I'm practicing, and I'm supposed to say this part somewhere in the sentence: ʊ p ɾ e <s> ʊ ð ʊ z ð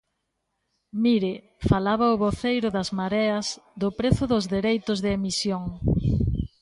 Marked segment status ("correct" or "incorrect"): incorrect